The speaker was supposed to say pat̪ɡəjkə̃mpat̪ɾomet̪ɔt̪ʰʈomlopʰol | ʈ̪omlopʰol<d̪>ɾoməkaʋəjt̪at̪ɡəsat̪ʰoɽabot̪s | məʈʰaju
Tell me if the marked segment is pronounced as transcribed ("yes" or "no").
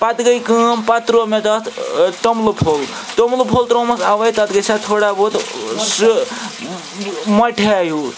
no